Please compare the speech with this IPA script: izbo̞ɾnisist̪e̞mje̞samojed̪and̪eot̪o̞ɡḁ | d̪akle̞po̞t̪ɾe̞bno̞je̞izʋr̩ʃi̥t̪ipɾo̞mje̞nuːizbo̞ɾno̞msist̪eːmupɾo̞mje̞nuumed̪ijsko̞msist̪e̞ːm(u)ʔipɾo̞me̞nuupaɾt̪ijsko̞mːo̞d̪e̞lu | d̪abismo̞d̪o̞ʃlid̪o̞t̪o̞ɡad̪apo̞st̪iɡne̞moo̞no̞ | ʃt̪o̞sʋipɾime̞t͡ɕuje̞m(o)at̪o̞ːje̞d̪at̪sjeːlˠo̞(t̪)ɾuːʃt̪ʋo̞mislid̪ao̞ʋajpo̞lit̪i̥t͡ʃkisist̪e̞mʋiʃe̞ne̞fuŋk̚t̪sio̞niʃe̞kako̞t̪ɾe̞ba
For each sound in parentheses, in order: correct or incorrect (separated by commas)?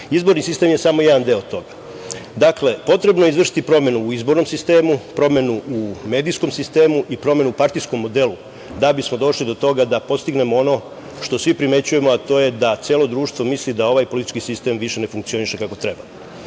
correct, correct, incorrect